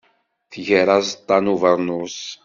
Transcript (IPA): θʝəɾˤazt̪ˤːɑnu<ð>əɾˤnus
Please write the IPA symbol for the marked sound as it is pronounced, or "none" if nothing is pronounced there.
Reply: v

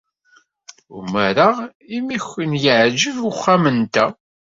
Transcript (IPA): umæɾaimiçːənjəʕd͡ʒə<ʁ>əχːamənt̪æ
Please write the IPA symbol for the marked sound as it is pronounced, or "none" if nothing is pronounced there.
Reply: v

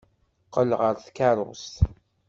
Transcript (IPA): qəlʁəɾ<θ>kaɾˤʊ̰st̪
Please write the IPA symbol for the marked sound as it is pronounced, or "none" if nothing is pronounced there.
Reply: θ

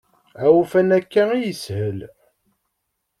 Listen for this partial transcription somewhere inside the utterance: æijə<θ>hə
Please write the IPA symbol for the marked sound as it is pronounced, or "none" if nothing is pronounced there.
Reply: s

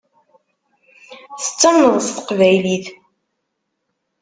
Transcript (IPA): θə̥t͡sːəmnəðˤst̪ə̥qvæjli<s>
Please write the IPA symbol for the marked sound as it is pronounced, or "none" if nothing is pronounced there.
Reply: θ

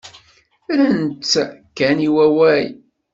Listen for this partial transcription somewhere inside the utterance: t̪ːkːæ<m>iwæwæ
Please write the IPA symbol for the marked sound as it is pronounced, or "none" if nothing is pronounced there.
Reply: n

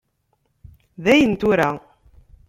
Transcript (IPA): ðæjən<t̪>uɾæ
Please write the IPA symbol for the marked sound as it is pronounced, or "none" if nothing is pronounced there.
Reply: t̪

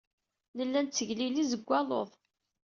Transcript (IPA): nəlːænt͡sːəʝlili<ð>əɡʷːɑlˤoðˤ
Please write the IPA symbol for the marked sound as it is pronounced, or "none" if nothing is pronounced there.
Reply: z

